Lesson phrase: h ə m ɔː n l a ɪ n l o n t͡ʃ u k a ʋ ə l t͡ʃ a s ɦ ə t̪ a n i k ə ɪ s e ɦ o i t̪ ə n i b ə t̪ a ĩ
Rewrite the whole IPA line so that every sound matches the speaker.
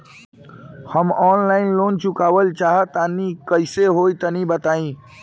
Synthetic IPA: h ə m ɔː n l a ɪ n l o n t͡ʃ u k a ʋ ə l t͡ʃ a ɦ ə t̪ a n i k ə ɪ s e ɦ o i t̪ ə n i b ə t̪ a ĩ